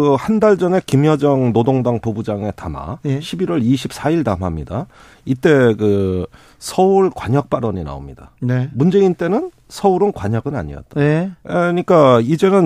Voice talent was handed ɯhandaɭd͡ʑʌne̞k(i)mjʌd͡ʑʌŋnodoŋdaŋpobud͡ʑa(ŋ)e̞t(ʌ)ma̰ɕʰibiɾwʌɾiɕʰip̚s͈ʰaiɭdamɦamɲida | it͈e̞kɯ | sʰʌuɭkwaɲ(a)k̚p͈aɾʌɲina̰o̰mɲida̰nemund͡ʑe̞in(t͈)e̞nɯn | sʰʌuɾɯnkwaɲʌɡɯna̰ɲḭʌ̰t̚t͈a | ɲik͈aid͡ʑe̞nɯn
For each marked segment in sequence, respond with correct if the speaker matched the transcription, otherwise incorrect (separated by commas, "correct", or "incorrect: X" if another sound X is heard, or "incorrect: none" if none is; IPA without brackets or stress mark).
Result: correct, correct, incorrect: a, incorrect: ʌ, correct